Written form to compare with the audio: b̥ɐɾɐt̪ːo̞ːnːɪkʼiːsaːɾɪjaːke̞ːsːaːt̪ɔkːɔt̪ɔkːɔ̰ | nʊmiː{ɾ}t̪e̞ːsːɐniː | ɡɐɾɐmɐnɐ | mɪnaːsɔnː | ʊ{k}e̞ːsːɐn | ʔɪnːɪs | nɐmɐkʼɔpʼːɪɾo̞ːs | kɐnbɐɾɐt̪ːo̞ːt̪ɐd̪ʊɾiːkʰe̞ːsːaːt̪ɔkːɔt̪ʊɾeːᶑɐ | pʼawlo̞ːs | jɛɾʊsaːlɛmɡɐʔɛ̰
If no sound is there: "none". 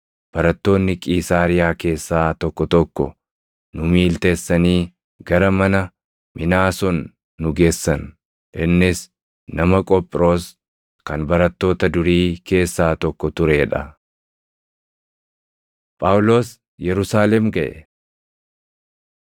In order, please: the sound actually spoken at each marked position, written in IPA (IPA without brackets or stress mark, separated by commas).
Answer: l, ɡ